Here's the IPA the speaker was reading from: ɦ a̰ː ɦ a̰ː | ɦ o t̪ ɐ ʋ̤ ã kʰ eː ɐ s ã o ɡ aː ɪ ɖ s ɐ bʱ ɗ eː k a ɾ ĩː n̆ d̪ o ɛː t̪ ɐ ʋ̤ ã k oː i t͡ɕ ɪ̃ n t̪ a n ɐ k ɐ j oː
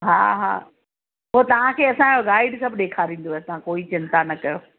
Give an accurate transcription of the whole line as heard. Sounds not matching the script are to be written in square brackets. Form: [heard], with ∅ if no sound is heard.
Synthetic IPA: ɦ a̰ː ɦ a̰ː | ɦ o t̪ ɐ ʋ̤ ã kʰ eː ɐ s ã o ɡ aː ɪ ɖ s ɐ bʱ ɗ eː [kʰ] a ɾ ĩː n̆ d̪ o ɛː t̪ ɐ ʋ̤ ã k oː i t͡ɕ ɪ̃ n t̪ a n ɐ k ɐ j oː